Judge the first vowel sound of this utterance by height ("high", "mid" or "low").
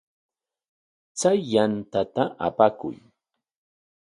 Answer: low